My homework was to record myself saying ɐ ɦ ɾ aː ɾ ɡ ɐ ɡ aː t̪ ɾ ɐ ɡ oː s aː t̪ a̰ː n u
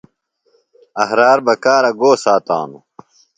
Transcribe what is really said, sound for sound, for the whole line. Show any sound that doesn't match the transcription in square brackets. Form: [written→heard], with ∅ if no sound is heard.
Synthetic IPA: ɐ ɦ ɾ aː ɾ [ɡ→b] ɐ [ɡ→k] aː [t̪→∅] ɾ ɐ ɡ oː s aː t̪ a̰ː n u